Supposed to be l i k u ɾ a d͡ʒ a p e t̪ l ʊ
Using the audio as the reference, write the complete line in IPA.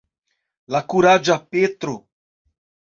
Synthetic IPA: l a k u ɾ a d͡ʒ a p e t̪ ɾ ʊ